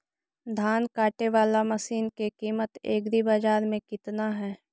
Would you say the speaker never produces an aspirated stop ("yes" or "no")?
yes